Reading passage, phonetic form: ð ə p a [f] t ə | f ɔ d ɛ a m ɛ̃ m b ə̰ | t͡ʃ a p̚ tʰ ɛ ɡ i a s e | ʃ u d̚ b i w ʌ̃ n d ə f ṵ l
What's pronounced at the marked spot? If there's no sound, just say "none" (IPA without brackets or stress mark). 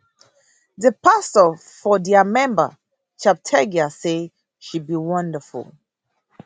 s